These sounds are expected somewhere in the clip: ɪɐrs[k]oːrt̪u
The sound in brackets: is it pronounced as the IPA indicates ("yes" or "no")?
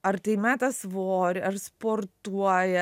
no